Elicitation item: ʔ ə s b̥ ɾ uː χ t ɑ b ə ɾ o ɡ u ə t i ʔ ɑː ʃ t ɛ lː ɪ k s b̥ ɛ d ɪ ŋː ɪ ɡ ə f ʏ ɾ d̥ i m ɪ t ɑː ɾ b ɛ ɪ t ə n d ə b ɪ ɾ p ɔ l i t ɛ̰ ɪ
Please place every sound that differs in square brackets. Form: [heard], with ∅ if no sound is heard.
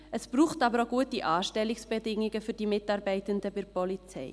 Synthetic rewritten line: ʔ ə s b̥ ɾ uː χ t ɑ b ə ɾ o ɡ u ə t i ʔ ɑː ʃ t ɛ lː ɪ k s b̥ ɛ d ɪ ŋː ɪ ɡ ə f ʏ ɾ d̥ i m ɪ t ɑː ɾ b ɛ ɪ t ə n d ə b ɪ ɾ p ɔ l i [t͡s] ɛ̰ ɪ